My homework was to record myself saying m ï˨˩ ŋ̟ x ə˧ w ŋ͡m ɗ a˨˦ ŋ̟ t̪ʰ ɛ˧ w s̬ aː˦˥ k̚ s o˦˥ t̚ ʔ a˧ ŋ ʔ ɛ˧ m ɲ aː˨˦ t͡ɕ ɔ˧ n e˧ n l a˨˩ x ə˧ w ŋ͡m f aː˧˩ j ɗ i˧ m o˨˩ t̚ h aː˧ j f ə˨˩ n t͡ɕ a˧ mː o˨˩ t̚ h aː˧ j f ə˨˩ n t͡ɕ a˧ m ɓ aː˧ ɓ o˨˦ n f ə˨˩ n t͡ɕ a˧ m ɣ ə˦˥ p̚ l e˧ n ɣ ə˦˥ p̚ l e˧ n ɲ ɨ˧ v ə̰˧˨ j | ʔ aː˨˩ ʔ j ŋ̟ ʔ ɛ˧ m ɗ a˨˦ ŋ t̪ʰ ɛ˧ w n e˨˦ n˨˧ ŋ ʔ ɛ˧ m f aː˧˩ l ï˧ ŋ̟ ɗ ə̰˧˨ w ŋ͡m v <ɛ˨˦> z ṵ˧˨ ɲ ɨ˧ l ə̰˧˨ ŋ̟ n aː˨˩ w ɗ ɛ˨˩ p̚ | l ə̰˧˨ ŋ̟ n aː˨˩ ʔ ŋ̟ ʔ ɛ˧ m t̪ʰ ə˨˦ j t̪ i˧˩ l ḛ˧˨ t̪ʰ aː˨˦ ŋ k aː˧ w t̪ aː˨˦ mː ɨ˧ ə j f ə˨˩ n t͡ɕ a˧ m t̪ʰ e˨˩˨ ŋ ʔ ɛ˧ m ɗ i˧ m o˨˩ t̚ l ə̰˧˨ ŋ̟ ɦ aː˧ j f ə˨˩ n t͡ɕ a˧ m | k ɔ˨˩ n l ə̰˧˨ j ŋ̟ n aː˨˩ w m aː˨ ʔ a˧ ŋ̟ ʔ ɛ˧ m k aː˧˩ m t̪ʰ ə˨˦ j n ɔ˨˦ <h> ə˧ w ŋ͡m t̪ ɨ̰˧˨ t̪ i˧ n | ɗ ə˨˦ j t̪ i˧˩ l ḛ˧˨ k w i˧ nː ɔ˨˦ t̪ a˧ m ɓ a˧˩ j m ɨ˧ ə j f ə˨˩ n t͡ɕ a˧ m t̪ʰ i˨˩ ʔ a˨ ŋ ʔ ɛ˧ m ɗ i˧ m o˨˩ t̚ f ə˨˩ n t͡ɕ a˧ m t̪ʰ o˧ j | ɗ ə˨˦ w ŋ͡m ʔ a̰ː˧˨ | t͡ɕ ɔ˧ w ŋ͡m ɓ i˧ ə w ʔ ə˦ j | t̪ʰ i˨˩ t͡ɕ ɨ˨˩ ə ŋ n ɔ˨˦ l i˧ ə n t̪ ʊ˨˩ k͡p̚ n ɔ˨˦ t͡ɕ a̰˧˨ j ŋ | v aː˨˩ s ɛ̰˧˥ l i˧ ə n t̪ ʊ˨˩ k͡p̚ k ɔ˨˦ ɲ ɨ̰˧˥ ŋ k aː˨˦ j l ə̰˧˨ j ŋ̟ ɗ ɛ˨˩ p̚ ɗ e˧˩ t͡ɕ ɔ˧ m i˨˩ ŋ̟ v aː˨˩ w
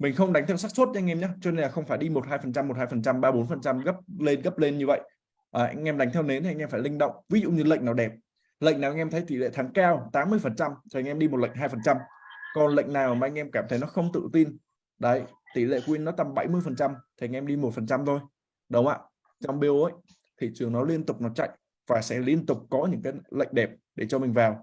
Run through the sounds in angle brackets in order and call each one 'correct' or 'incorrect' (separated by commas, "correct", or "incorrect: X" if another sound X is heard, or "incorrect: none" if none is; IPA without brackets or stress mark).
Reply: incorrect: i˨˦, incorrect: x